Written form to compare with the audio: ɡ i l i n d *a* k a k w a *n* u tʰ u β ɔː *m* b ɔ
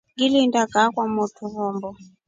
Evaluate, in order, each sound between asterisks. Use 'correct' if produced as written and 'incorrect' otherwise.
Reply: correct, incorrect: m, correct

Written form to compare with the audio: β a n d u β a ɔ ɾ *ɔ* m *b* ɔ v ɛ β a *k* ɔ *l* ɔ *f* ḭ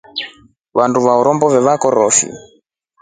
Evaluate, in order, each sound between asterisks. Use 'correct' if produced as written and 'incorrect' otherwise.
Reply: correct, correct, correct, incorrect: ɾ, correct

